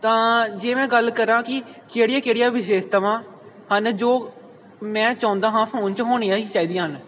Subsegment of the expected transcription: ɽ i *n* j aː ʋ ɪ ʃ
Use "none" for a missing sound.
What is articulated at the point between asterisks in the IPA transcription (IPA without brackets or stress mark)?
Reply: none